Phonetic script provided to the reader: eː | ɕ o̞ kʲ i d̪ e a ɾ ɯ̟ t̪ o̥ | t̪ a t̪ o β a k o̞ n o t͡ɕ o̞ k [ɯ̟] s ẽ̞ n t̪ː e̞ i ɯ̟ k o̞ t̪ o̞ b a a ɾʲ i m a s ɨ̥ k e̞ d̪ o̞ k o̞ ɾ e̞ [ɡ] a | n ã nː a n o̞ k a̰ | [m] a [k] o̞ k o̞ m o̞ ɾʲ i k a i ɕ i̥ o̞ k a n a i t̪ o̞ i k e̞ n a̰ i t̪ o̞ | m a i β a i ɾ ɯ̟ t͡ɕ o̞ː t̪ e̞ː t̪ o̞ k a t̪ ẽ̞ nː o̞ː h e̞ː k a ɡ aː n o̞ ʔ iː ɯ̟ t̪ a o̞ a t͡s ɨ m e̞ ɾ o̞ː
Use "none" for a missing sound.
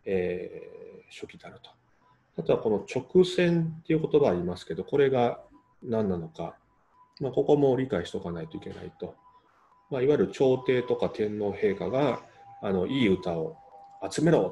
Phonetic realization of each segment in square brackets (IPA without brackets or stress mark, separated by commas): ɯ̟, ɡ, m, k